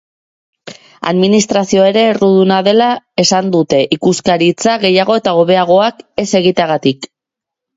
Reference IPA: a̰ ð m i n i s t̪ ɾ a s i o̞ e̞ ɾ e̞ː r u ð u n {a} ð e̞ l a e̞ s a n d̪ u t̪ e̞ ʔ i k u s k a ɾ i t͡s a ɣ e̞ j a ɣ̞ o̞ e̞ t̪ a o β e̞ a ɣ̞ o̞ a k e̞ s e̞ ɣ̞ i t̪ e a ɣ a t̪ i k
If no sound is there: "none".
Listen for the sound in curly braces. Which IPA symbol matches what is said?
a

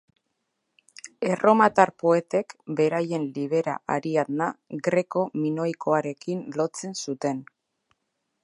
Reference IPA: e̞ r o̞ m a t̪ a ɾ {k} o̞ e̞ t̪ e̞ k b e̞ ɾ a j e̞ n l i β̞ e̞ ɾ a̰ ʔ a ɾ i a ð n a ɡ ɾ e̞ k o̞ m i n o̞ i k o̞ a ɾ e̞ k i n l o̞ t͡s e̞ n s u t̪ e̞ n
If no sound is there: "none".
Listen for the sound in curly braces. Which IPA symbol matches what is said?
p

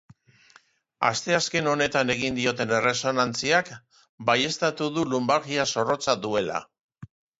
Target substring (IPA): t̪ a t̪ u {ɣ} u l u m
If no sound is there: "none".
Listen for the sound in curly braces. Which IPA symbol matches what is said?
ð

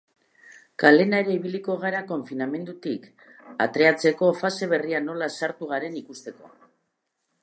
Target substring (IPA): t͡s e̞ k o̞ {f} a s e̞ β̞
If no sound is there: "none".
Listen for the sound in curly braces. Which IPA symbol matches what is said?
f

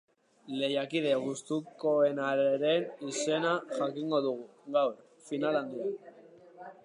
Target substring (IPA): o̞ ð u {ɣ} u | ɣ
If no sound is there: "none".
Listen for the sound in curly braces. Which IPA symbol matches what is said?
ɣ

